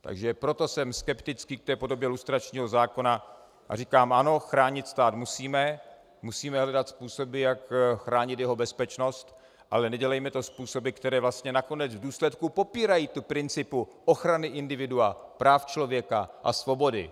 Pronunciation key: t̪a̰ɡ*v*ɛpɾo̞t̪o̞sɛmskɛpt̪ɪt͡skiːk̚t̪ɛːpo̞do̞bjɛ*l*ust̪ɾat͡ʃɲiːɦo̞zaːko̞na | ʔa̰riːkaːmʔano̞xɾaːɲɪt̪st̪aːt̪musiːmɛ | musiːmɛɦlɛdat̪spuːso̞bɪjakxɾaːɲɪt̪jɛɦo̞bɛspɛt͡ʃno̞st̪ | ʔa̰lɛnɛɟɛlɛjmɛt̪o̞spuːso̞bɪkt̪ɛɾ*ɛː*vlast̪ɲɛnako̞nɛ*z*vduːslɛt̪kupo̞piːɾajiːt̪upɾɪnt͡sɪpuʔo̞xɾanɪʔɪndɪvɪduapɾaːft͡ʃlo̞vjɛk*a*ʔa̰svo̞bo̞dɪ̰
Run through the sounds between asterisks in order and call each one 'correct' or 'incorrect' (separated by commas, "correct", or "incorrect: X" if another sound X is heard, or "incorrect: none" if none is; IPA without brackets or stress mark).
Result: incorrect: ʒ, correct, correct, incorrect: d͡z, correct